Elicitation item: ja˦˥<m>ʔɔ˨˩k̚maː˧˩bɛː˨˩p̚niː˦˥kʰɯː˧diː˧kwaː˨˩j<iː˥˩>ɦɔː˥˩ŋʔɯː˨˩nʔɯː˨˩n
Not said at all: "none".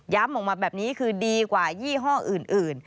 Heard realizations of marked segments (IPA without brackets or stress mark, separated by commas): m, iː˥˩